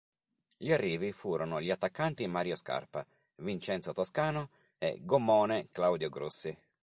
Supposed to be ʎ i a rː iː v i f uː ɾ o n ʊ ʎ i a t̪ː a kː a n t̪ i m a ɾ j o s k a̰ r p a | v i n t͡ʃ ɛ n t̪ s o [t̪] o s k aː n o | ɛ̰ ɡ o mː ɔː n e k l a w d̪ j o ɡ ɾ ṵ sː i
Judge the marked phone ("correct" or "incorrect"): correct